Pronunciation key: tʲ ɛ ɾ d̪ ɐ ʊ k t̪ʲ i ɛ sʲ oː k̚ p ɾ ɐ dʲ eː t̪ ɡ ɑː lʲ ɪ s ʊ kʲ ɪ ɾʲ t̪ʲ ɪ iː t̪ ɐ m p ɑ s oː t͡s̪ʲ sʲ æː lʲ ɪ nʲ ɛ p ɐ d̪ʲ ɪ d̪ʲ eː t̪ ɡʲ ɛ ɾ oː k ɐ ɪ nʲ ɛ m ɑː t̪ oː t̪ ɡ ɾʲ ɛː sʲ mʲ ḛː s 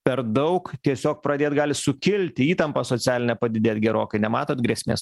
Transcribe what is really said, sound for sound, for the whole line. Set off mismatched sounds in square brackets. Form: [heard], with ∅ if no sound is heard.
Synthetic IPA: [pʲ] ɛ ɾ d̪ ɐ ʊ k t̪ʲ i ɛ sʲ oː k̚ p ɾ ɐ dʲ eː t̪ ɡ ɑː lʲ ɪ s ʊ kʲ ɪ [lʲ] t̪ʲ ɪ iː t̪ ɐ m p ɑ s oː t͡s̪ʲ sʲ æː lʲ ɪ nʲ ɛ p ɐ d̪ʲ ɪ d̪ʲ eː t̪ ɡʲ ɛ ɾ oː k ɐ ɪ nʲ ɛ m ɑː t̪ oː t̪ ɡ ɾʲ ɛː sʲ mʲ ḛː s